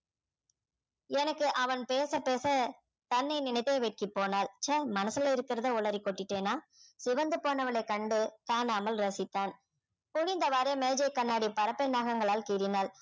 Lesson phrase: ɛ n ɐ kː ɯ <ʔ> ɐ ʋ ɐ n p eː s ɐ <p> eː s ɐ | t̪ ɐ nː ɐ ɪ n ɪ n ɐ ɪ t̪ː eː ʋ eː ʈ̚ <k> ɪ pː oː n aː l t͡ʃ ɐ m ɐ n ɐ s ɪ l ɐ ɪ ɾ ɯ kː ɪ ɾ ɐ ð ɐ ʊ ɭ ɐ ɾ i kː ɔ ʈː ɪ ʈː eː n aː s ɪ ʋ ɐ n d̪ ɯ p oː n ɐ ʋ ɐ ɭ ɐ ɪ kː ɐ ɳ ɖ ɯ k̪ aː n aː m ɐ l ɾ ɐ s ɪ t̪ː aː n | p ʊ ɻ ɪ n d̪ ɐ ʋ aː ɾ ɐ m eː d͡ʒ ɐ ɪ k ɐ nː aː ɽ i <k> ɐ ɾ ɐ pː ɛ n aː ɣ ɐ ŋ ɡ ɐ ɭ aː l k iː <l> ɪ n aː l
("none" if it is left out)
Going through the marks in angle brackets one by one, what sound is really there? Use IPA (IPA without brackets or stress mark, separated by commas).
ʔ, p, k, p, ɾ